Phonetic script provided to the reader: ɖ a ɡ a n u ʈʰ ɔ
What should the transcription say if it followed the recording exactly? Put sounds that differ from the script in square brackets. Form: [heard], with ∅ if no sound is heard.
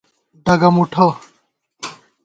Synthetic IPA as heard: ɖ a ɡ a [m] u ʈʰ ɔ

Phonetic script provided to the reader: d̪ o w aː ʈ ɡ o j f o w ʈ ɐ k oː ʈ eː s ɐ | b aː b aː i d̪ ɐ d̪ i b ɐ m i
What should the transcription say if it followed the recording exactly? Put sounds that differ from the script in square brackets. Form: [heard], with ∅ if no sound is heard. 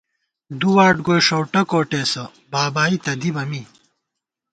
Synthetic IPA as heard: d̪ [u] w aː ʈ ɡ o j [ʂ] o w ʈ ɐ k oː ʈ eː s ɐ | b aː b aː i [t̪] ɐ d̪ i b ɐ m i

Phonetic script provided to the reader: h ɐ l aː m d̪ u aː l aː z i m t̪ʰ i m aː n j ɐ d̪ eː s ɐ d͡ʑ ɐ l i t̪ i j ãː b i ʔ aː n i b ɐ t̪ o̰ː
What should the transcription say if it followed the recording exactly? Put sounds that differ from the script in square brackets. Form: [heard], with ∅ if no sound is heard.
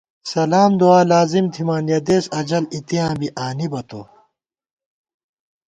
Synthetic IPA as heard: [s] ɐ l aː m d̪ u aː l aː z i m t̪ʰ i m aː n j ɐ d̪ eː s ɐ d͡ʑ ɐ l i t̪ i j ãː b i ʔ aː n i b ɐ t̪ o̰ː

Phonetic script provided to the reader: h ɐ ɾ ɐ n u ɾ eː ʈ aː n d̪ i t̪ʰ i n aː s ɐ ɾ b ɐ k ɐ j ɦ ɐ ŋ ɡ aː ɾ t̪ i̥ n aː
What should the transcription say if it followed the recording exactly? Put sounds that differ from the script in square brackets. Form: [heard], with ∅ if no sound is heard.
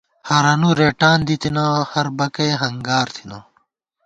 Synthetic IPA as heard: h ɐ ɾ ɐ n u ɾ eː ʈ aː n d̪ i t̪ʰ i n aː [h] ɐ ɾ b ɐ k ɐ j ɦ ɐ ŋ ɡ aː ɾ [t̪ʰ] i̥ n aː

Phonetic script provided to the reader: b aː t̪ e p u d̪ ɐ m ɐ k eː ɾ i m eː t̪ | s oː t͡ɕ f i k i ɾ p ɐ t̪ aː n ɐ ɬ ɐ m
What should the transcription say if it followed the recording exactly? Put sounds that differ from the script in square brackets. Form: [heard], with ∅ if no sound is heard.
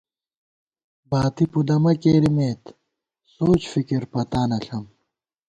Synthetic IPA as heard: b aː t̪ [i] p u d̪ ɐ m ɐ k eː ɾ i m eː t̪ | s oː t͡ɕ f i k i ɾ p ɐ t̪ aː n ɐ ɬ ɐ m

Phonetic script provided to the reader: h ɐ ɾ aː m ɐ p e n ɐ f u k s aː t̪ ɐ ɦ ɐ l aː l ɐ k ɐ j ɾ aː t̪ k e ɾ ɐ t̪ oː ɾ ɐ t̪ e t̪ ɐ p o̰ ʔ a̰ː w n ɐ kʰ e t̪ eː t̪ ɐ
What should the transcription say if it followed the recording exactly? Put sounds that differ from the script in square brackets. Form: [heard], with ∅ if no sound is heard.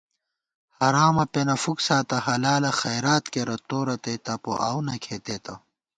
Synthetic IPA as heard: h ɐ ɾ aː m ɐ p e n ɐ f u k s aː t̪ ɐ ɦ ɐ l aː l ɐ [x] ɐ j ɾ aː t̪ k e ɾ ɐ t̪ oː ɾ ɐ t̪ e t̪ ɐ p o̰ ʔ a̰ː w n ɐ kʰ e t̪ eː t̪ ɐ

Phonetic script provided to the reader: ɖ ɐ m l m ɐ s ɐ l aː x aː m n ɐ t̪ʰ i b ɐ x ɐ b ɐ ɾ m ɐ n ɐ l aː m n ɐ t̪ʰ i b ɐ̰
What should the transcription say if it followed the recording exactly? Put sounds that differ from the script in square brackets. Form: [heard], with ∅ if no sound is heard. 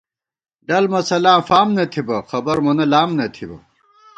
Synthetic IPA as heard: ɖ ɐ [∅] l m ɐ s ɐ l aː [f] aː m n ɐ t̪ʰ i b ɐ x ɐ b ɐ ɾ m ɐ n ɐ l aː m n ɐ t̪ʰ i b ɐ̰

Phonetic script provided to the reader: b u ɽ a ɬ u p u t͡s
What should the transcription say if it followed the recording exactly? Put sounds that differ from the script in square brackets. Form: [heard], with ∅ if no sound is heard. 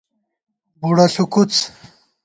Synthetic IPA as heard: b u ɽ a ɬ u [k] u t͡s

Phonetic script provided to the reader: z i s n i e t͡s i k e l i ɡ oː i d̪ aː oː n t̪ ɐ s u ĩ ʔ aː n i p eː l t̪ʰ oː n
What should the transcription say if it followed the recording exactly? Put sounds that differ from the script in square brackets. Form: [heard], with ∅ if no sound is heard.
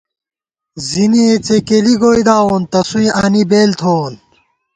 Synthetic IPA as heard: z i [∅] n i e t͡s [e] k e l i ɡ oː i d̪ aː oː n t̪ ɐ s u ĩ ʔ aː n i [b] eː l t̪ʰ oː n

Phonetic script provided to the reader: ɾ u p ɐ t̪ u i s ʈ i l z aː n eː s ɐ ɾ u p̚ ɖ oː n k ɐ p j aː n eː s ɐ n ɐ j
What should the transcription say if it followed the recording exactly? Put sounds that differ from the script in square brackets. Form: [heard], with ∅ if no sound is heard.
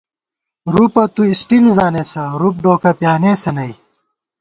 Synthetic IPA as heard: ɾ u p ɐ t̪ u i s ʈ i l z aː n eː s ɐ ɾ u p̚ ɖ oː [∅] k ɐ p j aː n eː s ɐ n ɐ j

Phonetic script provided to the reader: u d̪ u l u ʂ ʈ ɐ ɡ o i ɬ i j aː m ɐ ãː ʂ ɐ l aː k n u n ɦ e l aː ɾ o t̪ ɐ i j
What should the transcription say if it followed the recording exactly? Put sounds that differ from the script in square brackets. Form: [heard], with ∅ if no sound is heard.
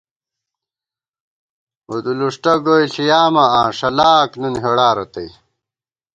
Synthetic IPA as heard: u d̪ u l u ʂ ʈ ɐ ɡ o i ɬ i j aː m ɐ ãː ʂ ɐ l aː k n u n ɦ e [ɽ] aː ɾ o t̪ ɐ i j

